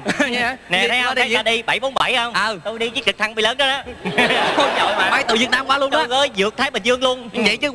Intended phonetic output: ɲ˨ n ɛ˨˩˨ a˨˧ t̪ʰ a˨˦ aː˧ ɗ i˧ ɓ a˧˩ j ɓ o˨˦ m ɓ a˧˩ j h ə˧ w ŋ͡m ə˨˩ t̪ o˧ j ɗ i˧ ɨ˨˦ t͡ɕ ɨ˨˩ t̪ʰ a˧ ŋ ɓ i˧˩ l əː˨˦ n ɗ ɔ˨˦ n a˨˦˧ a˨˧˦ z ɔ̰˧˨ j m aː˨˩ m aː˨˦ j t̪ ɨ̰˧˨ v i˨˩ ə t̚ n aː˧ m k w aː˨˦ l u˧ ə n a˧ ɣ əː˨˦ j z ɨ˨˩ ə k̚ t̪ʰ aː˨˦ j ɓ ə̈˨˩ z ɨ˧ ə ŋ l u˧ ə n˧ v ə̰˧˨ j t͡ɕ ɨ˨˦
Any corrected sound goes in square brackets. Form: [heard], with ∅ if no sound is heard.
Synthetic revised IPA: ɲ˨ n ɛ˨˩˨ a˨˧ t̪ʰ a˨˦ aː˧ ɗ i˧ ɓ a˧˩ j ɓ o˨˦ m ɓ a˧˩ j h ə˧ w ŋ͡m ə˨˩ t̪ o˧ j ɗ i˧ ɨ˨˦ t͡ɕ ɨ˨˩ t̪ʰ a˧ ŋ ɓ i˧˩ l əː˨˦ n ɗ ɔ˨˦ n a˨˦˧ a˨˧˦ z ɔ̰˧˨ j m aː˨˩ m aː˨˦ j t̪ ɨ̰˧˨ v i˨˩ ə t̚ n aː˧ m k w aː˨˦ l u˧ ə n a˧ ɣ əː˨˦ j z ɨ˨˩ ə k̚ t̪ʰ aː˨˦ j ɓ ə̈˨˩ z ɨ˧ ə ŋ l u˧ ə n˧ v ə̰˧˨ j t͡ɕ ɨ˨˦